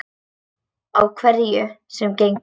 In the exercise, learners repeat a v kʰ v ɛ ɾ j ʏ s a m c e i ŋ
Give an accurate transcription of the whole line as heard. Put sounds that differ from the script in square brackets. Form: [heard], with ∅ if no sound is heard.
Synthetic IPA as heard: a [w] kʰ v ɛ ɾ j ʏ s [ɛ] m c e [j] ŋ